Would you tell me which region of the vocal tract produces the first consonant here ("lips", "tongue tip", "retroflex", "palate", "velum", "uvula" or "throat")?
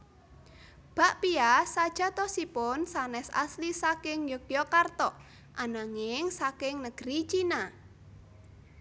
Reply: lips